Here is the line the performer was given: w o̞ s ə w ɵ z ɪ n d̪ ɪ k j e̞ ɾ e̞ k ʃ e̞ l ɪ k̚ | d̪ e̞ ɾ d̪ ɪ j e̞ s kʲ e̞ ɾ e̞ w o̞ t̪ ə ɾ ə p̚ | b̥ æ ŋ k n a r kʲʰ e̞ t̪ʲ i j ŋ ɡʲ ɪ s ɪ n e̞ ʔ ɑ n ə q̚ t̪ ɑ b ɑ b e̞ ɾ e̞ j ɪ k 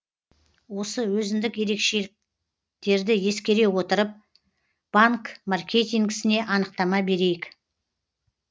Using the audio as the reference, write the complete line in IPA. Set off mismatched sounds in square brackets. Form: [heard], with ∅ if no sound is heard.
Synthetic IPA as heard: w o̞ s ə w ɵ z ɪ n d̪ ɪ k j e̞ ɾ e̞ k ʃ e̞ l ɪ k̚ | [t̪] e̞ ɾ d̪ ɪ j e̞ s kʲ e̞ ɾ e̞ w o̞ t̪ ə ɾ ə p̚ | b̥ [a] ŋ k [m] a r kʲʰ e̞ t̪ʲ i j ŋ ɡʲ ɪ s ɪ n e̞ ʔ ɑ n ə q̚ t̪ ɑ [m] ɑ b e̞ ɾ e̞ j ɪ k